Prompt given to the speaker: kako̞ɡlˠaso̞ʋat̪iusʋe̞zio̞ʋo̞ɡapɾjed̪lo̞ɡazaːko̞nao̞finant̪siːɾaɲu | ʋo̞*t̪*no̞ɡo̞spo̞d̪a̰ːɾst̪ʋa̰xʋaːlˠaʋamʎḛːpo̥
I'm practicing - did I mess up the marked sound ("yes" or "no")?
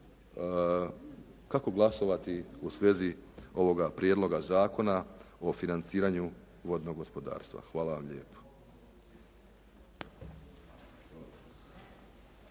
yes